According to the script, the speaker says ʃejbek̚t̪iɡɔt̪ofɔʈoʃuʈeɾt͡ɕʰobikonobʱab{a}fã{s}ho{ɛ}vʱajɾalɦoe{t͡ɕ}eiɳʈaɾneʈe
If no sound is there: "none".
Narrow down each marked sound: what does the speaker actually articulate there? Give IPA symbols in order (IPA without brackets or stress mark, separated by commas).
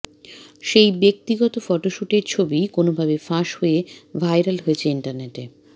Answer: e, ʃ, e, t͡ɕʰ